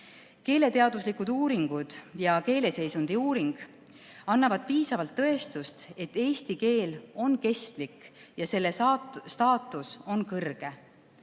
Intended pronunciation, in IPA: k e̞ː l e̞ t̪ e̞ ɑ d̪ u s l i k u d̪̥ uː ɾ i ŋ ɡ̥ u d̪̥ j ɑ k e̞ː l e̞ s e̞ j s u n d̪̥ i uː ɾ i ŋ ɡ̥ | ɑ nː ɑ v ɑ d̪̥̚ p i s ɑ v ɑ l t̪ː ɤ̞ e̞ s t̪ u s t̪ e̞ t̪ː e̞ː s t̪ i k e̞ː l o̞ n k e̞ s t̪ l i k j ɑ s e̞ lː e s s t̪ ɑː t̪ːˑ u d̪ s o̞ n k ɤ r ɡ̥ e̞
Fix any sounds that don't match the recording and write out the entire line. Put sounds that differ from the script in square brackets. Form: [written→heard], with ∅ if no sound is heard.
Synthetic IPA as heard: k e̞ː l e̞ t̪ e̞ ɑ d̪ u s l i k u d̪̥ uː ɾ i ŋ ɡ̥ u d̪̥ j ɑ k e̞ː l e̞ s e̞ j s u n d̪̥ i uː ɾ i ŋ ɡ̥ | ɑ nː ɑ v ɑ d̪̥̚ p [i→iː] s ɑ v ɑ l t̪ː ɤ̞ e̞ s t̪ u s t̪ e̞ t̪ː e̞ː s t̪ i k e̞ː l o̞ n k e̞ s t̪ l i k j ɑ s e̞ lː e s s t̪ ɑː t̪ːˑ u [d̪→∅] s o̞ n k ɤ r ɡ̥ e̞